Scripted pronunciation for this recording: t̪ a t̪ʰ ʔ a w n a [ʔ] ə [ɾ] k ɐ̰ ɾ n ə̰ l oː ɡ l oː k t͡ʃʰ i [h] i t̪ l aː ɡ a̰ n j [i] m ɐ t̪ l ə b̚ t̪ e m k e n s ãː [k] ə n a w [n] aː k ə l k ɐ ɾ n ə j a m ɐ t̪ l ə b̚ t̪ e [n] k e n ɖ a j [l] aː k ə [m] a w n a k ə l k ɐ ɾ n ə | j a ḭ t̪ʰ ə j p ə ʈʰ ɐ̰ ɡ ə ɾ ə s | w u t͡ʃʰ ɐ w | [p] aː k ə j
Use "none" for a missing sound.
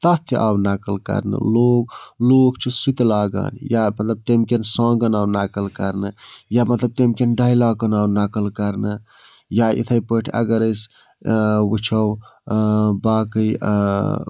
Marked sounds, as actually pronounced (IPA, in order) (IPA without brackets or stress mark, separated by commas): k, l, s, a, ɡ, n, m, l, n, b